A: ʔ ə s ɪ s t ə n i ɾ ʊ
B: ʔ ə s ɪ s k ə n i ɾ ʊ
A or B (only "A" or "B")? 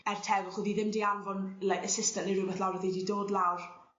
A